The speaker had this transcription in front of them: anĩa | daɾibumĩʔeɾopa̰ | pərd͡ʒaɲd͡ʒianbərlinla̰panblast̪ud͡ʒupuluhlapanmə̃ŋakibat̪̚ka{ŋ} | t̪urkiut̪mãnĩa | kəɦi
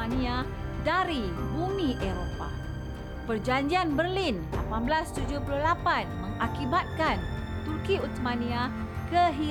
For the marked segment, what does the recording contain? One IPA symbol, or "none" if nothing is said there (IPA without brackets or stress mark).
n